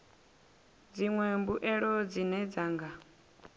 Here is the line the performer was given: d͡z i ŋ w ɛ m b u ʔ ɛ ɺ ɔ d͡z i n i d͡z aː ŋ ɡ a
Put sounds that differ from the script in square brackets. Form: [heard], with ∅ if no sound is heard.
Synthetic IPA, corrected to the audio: d͡z i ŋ w ɛ m b u ʔ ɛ ɺ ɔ d͡z i n [ɛ] d͡z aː ŋ ɡ a